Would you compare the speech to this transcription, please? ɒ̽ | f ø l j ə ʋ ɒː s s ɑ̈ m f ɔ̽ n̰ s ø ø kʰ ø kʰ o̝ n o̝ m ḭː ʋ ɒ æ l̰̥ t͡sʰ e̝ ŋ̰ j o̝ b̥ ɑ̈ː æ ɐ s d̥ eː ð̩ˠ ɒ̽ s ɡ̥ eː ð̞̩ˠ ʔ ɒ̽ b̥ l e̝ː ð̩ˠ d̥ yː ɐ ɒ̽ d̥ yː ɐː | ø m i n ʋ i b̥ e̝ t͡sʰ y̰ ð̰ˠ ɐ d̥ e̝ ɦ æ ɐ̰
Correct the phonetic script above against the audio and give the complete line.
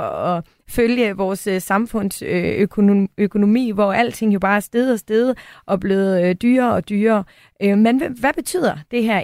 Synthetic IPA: ɒ̽ | f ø l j ə ʋ ɒː s s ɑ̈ m f ɔ̽ n̰ s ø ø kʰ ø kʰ o̝ n o̝ m ḭː ʋ ɒ æ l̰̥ t͡sʰ e̝ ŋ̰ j o̝ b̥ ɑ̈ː æ ɐ s d̥ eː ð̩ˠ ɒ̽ s d̥ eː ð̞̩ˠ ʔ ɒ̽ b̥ l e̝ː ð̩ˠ d̥ yː ɐ ɒ̽ d̥ yː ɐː | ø m e n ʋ æ b̥ e̝ t͡sʰ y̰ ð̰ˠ ɐ d̥ e̝ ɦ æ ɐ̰